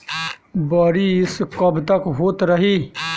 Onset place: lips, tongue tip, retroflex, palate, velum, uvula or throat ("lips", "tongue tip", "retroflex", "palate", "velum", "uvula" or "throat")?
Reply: lips